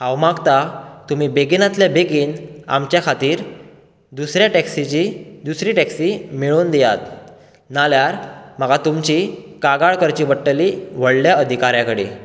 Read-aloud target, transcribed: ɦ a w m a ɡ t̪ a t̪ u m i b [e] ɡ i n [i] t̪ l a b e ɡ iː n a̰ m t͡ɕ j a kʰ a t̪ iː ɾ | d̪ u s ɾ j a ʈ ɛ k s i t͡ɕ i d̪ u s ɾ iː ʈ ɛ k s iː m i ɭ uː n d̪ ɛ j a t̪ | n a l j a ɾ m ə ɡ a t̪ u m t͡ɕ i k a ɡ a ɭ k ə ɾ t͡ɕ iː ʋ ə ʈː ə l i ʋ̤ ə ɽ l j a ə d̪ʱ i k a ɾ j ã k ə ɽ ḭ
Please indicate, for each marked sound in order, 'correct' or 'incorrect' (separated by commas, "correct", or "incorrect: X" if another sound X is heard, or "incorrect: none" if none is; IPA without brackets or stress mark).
correct, incorrect: a